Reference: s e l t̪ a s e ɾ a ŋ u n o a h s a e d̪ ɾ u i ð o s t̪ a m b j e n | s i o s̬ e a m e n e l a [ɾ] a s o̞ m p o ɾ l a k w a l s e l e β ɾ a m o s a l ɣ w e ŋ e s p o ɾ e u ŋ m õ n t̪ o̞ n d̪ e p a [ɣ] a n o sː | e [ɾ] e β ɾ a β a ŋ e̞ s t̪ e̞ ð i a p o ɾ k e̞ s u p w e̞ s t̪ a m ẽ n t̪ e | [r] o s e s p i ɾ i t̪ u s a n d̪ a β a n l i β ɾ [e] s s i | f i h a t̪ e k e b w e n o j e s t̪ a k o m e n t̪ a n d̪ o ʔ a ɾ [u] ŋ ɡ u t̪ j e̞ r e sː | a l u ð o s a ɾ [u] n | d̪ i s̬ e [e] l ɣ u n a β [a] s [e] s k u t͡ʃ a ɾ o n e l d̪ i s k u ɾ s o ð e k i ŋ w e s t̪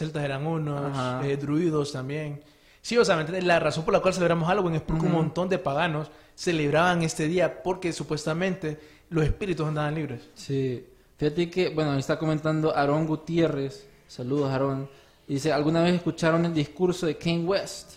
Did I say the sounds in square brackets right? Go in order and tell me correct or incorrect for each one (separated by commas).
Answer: incorrect, correct, incorrect, incorrect, correct, incorrect, incorrect, incorrect, incorrect, correct